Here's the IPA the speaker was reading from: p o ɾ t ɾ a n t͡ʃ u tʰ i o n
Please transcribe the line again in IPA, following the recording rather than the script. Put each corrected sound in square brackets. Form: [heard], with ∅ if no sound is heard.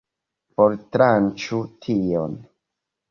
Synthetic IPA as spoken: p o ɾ t ɾ a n t͡ʃ u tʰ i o n